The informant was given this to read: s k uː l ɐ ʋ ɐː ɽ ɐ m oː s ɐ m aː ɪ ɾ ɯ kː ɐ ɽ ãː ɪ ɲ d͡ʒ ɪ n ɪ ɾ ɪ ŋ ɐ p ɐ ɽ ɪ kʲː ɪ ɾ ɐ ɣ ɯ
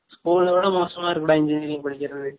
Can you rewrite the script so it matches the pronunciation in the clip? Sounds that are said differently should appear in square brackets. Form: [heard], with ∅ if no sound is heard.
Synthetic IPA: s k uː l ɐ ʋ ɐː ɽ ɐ m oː s ɐ m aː ɪ ɾ ɯ kː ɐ ɽ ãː ɪ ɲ d͡ʒ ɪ n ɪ ɾ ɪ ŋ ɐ p ɐ ɽ ɪ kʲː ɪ ɾ ɐ [ð] ɯ